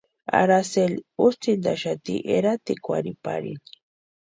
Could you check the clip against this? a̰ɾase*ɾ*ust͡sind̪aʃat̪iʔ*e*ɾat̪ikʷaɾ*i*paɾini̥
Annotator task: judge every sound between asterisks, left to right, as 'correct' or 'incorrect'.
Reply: incorrect: l, correct, correct

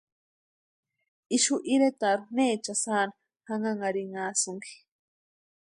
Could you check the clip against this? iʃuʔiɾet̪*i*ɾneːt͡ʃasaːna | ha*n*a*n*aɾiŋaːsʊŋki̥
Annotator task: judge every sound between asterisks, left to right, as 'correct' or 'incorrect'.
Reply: incorrect: a, incorrect: ŋ, incorrect: ŋ

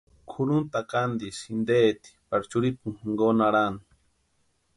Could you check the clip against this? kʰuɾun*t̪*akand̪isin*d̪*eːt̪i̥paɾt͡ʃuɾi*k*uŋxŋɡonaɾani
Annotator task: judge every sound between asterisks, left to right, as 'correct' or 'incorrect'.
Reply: correct, correct, incorrect: p

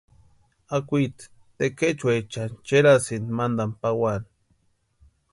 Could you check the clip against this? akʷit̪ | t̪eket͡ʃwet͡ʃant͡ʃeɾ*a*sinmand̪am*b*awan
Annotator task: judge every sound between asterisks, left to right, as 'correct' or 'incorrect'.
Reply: correct, incorrect: p

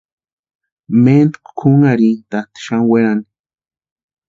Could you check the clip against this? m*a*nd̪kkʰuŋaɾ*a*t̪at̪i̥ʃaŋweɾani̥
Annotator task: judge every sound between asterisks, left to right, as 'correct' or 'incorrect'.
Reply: incorrect: e, incorrect: i

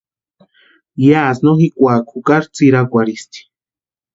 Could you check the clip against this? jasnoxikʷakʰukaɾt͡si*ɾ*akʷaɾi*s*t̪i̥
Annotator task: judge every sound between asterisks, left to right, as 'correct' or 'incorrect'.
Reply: correct, correct

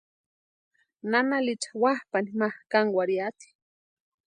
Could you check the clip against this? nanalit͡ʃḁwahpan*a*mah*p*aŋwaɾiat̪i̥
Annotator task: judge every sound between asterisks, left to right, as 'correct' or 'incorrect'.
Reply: incorrect: i, incorrect: k

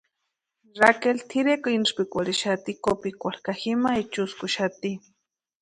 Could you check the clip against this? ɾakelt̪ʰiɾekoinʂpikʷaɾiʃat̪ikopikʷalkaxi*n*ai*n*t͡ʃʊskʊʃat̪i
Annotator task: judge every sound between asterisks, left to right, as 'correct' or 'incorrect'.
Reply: incorrect: m, incorrect: none

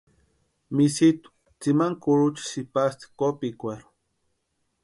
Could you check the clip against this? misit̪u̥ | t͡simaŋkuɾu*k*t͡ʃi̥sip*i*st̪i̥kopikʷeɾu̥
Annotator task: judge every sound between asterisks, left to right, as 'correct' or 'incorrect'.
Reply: incorrect: none, incorrect: a

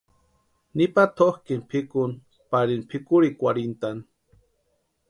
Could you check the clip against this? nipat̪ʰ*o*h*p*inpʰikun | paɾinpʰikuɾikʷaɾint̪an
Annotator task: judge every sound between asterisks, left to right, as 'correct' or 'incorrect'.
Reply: correct, incorrect: k

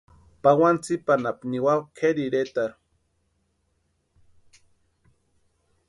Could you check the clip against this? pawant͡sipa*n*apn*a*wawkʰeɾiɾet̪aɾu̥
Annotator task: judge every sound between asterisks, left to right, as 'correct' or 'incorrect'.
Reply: correct, incorrect: i

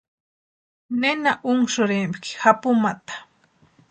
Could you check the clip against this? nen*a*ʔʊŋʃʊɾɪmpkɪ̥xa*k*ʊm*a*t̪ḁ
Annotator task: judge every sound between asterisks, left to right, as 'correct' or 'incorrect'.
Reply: correct, incorrect: p, correct

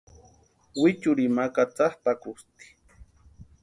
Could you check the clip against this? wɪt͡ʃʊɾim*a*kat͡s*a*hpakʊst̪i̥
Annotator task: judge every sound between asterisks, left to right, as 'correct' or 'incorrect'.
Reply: correct, correct

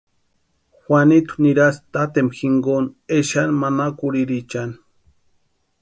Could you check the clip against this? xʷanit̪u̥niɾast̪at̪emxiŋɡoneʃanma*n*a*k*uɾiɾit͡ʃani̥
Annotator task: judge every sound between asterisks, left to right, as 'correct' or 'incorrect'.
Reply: correct, correct

